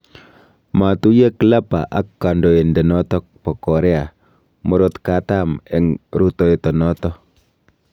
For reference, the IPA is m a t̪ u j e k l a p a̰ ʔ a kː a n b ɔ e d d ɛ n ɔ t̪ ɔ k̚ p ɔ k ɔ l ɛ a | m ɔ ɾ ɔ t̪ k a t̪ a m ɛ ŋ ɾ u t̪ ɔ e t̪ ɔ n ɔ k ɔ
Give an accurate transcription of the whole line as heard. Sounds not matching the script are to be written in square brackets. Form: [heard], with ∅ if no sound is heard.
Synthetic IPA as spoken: m a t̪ u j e k l a p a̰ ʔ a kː a n [d] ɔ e [n] d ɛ n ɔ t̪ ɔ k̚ p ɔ k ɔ [ɾ] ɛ a | m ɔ ɾ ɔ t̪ k a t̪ a m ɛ ŋ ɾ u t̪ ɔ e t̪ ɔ n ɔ [t] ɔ